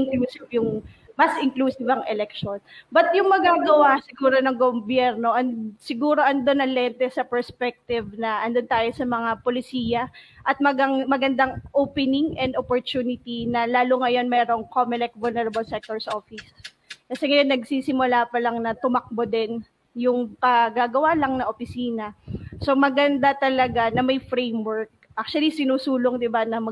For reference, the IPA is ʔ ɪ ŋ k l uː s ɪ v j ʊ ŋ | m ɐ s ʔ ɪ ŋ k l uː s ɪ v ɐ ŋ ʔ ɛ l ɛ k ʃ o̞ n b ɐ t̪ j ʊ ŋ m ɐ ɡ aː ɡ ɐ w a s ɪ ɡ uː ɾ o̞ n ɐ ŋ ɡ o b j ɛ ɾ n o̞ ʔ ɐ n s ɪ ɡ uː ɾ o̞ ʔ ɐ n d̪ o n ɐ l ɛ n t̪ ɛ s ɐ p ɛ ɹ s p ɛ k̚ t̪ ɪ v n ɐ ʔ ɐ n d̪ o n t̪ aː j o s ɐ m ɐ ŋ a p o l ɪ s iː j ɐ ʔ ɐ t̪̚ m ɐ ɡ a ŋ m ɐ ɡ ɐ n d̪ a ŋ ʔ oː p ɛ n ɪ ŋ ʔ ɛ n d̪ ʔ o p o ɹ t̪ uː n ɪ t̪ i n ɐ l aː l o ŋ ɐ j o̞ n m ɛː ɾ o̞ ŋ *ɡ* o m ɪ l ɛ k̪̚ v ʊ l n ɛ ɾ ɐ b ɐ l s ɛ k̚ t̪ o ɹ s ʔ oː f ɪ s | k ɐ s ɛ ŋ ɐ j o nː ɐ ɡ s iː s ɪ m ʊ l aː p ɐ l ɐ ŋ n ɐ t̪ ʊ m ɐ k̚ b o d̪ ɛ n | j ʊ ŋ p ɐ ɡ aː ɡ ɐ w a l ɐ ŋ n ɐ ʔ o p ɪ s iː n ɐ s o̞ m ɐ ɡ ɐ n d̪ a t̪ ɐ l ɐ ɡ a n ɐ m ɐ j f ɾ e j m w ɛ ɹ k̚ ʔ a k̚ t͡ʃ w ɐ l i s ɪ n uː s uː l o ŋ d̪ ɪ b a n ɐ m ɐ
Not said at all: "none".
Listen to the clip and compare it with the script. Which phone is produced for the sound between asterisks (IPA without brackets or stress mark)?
k